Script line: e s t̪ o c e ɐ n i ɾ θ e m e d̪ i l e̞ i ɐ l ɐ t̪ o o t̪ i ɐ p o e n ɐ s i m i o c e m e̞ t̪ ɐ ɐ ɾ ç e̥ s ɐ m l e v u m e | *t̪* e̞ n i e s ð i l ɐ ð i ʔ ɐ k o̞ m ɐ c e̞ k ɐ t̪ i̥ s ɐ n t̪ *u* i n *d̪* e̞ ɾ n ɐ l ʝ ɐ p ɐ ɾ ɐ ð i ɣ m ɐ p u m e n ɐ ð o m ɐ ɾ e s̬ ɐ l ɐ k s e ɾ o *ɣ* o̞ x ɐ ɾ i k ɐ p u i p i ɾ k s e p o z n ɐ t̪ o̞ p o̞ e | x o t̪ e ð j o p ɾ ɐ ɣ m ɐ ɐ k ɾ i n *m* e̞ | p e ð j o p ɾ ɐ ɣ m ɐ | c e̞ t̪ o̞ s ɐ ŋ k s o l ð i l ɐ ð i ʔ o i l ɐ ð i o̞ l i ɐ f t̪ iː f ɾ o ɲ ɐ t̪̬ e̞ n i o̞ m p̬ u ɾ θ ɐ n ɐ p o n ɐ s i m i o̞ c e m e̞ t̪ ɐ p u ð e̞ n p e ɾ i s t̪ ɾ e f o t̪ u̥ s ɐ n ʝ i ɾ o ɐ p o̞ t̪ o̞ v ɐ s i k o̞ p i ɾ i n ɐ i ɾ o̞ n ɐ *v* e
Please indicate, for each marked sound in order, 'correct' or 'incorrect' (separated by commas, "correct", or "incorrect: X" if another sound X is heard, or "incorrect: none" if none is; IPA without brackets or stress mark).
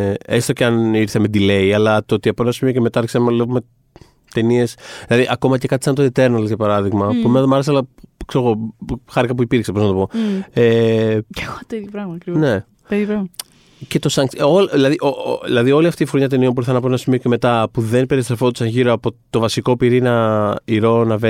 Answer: correct, incorrect: o, incorrect: t̪, correct, incorrect: n, correct